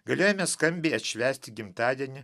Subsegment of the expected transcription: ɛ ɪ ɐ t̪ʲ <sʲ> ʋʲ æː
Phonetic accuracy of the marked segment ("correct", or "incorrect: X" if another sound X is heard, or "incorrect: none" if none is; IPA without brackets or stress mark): incorrect: ʃʲ